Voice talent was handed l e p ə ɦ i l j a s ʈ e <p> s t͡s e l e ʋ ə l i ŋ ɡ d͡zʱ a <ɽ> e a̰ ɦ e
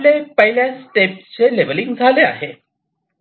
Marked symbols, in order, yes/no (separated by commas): yes, no